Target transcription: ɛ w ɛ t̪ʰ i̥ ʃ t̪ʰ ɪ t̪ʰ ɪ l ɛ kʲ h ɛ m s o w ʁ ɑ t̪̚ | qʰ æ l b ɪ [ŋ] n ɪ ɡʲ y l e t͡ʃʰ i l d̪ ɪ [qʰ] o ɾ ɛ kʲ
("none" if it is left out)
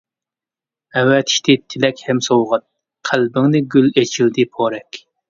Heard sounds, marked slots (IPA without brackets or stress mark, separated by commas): ŋ, pʰ